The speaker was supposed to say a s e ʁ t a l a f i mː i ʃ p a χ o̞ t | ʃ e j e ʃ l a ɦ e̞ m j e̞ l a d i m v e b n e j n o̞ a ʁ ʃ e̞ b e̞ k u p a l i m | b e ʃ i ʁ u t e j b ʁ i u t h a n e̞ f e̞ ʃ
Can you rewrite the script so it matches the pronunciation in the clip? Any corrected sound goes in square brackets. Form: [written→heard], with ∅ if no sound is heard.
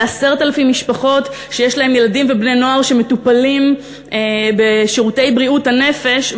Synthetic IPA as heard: a s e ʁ t a l a f i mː i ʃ p a χ o̞ t | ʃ e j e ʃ l a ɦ e̞ m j e̞ l a d i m v e b n e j n o̞ a ʁ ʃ e̞ [b→m] e̞ [k→t] u p a l i m | b e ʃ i ʁ u t e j b ʁ i u t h a n e̞ f e̞ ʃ

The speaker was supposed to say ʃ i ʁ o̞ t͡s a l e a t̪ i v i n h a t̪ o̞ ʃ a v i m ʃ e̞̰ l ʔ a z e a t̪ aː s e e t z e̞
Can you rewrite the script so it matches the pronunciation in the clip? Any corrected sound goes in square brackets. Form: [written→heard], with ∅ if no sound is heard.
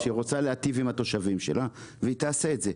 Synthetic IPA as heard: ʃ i ʁ o̞ t͡s a l e a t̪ i v i [n→m] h a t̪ o̞ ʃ a v i m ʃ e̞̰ l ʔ a [z→v] e [a→i] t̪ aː s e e t z e̞

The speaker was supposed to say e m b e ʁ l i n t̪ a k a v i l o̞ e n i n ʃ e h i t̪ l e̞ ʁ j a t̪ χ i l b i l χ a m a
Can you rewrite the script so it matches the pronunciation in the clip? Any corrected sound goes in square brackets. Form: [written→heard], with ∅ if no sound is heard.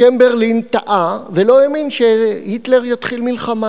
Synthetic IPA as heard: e m b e ʁ l i n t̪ a [k→ʔ] a v [i→e] l o̞ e [n→m] i n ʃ e h i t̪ l e̞ ʁ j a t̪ χ i l [b→m] i l χ a m a

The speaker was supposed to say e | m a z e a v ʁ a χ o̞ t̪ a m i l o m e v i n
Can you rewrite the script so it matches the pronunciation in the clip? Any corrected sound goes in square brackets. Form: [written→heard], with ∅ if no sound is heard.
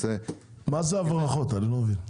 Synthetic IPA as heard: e | m a z e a v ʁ a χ o̞ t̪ a [m→n] i l o m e v i n

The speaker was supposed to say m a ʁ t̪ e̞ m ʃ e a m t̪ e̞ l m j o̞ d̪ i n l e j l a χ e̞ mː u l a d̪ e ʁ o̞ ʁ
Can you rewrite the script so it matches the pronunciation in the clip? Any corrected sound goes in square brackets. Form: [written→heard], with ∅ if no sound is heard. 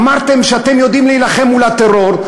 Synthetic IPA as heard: m a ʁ t̪ e̞ m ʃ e a [m→∅] t̪ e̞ [l→∅] m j o̞ d̪ i [n→m] l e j l a χ e̞ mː u l a [d̪→t̪] e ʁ o̞ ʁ

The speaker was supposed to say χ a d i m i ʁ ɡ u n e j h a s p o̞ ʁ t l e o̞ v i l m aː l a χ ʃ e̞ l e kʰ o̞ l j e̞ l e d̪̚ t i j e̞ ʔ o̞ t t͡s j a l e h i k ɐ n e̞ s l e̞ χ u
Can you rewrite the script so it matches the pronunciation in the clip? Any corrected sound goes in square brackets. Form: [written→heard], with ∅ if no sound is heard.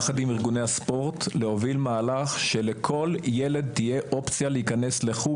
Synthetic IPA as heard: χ a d i m i ʁ ɡ u n e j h a s p o̞ ʁ t l e o̞ v i l m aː l a χ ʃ e̞ l e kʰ o̞ l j e̞ l e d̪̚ t i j e̞ ʔ o̞ [t→p] t͡s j a l e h i k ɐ n e̞ s l e̞ χ u

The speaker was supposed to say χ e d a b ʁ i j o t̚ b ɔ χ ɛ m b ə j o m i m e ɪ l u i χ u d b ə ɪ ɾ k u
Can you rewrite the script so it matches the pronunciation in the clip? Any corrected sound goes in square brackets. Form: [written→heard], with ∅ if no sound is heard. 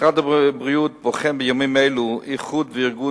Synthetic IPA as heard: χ [e→a] d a b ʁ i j [o→u] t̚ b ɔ χ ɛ m b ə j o m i m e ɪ l u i χ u d [b→v] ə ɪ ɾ [k→ɡ] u

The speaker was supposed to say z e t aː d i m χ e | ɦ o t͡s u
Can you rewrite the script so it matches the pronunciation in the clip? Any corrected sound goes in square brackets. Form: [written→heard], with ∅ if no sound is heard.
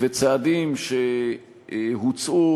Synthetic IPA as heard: [z→v] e [t→t͡s] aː d i m [χ→ʃ] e | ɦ [o→u] t͡s u

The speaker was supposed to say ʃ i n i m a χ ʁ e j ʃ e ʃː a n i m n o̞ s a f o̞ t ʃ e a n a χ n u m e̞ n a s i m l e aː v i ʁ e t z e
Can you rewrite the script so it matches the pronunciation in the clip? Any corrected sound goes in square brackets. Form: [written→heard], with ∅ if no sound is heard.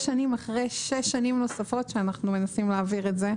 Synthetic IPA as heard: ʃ [i→a] n i m a χ ʁ e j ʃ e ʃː a n i m n o̞ s a f o̞ t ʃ e a n a χ n u m e̞ n a s i m l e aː v i ʁ e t z e

